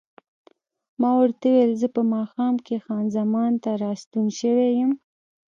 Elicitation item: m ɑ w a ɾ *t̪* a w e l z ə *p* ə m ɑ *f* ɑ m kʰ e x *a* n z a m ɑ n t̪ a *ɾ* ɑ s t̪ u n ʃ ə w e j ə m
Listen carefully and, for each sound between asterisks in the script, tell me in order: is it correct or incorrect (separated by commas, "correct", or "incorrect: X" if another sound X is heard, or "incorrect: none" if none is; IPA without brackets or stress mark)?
correct, correct, incorrect: x, incorrect: ɑ, correct